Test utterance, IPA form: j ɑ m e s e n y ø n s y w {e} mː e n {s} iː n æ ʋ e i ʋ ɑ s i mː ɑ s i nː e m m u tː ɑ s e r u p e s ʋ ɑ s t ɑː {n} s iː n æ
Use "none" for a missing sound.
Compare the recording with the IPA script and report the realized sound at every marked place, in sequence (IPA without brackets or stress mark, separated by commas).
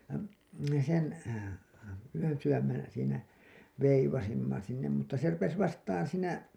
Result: æ, s, n